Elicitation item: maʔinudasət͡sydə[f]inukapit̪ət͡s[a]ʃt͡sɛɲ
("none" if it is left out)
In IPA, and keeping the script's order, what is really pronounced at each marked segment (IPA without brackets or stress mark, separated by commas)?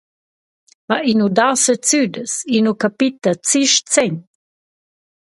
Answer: s, i